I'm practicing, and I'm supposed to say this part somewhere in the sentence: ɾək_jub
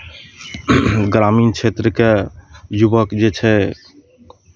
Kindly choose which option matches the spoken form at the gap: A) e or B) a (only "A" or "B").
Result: A